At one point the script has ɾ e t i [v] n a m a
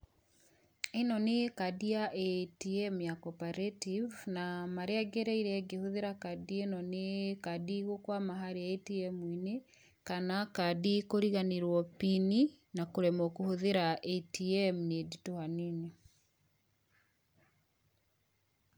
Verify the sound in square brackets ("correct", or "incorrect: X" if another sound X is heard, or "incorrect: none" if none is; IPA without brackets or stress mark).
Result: correct